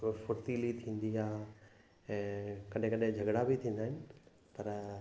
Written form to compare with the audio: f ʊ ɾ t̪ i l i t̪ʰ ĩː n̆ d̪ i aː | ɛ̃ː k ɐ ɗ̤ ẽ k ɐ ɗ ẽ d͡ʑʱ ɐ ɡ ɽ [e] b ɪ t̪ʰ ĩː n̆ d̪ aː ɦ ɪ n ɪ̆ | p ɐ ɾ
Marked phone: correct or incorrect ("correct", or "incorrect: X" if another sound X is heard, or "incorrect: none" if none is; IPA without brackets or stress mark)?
incorrect: a